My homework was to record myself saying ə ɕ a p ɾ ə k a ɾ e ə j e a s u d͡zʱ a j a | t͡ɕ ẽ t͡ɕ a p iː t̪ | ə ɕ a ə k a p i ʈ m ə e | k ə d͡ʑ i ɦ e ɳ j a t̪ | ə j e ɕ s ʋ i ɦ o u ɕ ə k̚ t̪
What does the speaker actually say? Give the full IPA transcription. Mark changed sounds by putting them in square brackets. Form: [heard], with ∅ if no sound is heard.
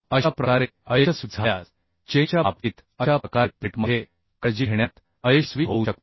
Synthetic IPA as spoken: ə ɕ a p ɾ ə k a ɾ e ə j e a s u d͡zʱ a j a | t͡ɕ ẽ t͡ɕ a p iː t̪ | ə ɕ a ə k a p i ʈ m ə e | k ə d͡ʑ i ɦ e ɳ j a t̪ | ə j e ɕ s ʋ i ɦ o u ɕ ə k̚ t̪